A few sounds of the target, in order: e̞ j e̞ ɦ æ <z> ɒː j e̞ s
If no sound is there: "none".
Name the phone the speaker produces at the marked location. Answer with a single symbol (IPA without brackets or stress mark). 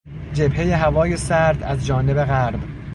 v